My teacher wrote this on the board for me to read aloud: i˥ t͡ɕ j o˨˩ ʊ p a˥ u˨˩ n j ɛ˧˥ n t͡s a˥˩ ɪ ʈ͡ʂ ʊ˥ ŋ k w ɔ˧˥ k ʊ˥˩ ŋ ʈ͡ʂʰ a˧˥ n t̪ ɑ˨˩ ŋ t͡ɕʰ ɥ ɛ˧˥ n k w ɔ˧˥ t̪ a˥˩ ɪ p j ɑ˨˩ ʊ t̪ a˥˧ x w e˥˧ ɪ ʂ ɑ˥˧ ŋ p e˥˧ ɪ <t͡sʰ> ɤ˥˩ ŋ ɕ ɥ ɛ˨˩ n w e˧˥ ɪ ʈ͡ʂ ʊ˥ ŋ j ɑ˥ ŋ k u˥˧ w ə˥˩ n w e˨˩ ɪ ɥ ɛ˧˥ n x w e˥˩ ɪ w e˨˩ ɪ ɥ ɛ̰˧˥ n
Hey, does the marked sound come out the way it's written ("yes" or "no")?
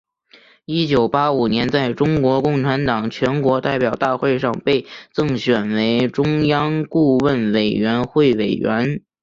no